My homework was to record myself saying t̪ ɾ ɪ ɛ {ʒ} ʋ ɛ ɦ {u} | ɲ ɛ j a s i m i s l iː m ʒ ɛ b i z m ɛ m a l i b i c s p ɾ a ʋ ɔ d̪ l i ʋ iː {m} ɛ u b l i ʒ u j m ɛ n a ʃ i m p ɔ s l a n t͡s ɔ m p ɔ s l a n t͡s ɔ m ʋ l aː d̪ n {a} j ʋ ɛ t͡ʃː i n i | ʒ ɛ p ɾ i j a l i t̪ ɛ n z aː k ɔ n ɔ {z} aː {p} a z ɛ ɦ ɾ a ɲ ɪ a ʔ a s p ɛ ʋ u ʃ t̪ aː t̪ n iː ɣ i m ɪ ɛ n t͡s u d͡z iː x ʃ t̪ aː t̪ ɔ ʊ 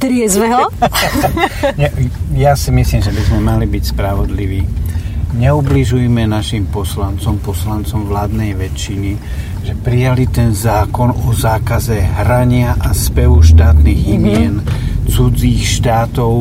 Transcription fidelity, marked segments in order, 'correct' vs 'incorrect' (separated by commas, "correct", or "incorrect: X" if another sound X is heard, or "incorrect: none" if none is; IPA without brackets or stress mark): incorrect: z, incorrect: ɔ, incorrect: ɲ, incorrect: ɛ, correct, incorrect: k